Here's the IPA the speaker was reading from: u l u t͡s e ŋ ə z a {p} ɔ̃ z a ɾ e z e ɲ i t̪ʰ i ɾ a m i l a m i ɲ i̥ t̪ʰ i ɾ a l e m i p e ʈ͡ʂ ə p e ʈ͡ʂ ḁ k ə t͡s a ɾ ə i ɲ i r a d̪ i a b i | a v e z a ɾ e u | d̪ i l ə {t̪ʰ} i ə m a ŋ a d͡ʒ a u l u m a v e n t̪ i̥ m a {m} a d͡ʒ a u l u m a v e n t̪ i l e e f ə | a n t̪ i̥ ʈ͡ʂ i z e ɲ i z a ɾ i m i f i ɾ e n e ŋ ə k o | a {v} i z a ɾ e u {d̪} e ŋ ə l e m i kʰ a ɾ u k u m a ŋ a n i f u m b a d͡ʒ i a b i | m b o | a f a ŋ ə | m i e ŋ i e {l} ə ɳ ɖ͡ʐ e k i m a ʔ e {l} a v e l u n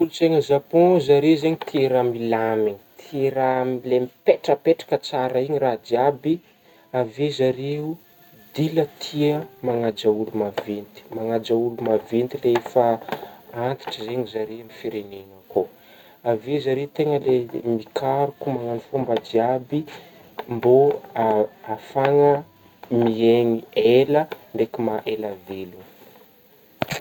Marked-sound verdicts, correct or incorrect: correct, correct, incorrect: ŋ, correct, incorrect: t̪, correct, correct

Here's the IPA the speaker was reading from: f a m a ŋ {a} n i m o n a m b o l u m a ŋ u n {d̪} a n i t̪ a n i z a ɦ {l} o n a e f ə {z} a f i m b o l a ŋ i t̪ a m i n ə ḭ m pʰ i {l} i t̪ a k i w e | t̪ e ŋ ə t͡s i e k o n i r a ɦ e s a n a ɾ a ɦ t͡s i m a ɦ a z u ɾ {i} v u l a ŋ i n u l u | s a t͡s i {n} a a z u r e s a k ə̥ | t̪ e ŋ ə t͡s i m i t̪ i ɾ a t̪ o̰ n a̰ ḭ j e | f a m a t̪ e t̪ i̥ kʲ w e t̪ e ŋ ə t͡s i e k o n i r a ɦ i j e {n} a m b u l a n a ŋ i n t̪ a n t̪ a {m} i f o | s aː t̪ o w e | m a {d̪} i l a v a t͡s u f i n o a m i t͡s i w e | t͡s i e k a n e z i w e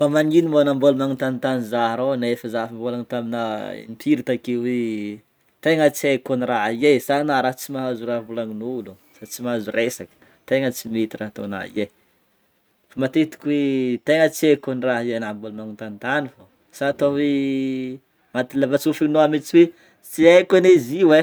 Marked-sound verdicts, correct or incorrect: incorrect: i, incorrect: t̪, incorrect: ɾ, correct, incorrect: ɾ, incorrect: a, incorrect: m, correct, incorrect: n, incorrect: t̪

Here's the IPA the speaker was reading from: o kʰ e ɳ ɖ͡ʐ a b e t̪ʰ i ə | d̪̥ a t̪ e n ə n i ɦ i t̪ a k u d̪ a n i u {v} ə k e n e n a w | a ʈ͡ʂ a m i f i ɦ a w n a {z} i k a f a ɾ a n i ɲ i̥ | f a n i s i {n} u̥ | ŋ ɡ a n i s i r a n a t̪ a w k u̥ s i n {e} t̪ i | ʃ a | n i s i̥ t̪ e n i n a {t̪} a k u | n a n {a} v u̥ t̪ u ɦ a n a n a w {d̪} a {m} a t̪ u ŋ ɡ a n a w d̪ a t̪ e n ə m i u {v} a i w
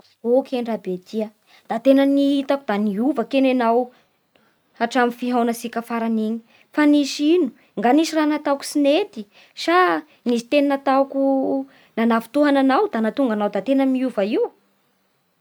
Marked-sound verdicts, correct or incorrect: correct, incorrect: s, correct, correct, correct, correct, correct, incorrect: n, correct

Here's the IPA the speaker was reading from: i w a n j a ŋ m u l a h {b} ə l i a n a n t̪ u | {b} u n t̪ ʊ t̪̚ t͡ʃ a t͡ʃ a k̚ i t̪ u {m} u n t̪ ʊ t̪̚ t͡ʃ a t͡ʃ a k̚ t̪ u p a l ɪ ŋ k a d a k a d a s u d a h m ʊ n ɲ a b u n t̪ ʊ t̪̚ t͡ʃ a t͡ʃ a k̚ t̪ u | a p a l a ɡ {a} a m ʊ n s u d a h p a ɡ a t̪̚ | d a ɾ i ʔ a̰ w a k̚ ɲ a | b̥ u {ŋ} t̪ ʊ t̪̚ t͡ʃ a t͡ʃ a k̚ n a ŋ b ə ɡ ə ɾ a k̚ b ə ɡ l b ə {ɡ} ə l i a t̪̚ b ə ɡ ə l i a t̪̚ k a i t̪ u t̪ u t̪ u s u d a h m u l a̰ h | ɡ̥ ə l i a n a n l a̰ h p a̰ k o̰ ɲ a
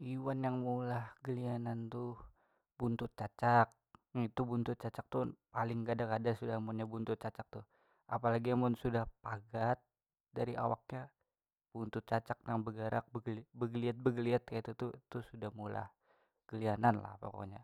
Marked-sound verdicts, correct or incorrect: incorrect: ɡ, correct, incorrect: b, incorrect: i, incorrect: n, correct

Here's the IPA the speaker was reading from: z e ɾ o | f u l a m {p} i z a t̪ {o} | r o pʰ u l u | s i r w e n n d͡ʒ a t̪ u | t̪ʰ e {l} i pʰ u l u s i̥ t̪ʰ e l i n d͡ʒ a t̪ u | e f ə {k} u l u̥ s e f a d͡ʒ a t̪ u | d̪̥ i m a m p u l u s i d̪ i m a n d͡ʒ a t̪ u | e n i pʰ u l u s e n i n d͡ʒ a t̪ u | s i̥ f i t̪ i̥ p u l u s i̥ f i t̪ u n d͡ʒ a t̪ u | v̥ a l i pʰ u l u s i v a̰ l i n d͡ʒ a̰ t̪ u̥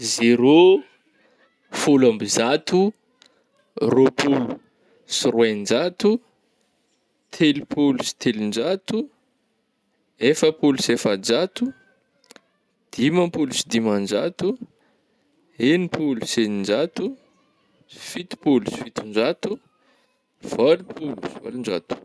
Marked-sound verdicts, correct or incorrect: incorrect: b, incorrect: u, correct, incorrect: p

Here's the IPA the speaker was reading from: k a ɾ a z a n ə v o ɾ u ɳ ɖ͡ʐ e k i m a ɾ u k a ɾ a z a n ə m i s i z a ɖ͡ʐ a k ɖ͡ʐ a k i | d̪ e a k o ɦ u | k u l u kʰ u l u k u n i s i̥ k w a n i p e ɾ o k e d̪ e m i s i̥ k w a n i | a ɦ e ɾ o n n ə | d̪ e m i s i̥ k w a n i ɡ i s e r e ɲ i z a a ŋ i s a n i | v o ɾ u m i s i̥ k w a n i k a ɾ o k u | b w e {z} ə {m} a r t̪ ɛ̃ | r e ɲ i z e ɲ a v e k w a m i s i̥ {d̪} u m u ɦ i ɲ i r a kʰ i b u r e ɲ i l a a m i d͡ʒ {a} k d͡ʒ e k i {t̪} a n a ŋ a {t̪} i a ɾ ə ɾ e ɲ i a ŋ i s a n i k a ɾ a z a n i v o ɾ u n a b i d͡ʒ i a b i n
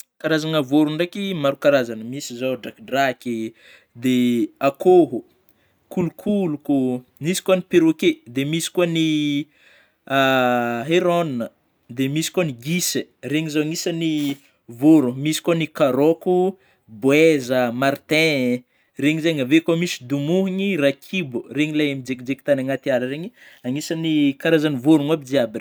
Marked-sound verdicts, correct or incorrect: correct, correct, correct, incorrect: e, correct, correct

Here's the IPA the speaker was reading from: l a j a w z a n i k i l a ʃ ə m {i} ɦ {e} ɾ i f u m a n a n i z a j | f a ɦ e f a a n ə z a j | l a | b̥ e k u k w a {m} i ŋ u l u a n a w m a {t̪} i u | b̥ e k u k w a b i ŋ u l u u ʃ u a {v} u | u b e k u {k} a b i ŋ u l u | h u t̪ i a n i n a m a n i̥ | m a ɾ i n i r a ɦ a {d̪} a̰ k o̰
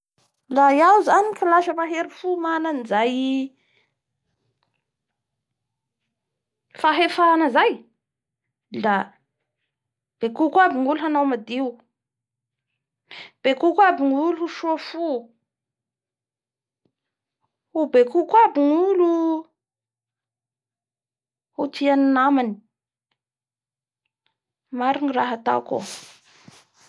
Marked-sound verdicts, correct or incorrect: incorrect: a, correct, incorrect: b, incorrect: d̪, incorrect: f, correct, incorrect: t̪

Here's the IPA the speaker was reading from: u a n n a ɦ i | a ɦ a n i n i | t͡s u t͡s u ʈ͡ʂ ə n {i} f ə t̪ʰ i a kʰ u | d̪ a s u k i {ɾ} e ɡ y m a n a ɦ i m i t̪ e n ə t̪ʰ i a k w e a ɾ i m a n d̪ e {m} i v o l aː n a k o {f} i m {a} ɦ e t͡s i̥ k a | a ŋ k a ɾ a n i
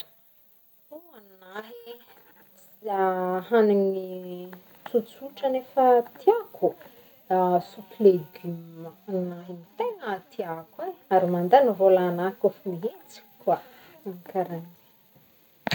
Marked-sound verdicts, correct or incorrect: incorrect: e, incorrect: l, incorrect: n, correct, incorrect: i

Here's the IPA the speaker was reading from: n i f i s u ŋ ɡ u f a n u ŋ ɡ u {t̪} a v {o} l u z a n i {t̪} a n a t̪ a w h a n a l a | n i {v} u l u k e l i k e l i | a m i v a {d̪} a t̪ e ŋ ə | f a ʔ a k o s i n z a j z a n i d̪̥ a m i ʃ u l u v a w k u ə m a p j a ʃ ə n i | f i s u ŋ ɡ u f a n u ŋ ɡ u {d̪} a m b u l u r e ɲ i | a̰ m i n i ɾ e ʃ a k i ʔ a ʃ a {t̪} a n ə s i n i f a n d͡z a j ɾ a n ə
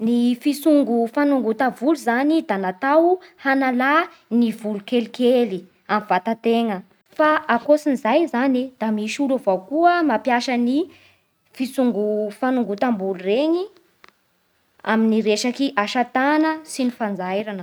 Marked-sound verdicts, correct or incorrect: correct, incorrect: u, incorrect: d̪, correct, incorrect: t̪, incorrect: t̪, correct

